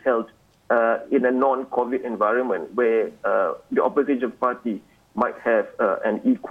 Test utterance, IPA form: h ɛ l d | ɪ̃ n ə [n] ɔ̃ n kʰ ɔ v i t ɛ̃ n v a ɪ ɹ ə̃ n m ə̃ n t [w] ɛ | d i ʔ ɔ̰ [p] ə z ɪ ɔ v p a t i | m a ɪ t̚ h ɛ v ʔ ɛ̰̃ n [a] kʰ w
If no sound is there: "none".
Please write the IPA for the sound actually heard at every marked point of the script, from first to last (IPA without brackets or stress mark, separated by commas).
n, w, p, i